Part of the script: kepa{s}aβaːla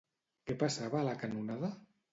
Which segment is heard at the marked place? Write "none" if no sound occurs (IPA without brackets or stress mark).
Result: s